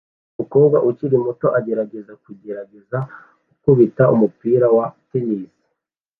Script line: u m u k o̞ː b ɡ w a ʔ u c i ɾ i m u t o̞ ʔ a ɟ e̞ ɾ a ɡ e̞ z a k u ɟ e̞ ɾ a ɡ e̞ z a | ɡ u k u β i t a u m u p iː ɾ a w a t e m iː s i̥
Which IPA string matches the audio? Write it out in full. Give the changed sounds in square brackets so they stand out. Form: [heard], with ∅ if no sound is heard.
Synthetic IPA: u m u k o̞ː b ɡ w a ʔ u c i ɾ i m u t o̞ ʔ a ɟ e̞ ɾ a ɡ e̞ z a k u ɟ e̞ ɾ a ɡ e̞ z a | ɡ u k u β i t a u m u p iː ɾ a w a t e [n] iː s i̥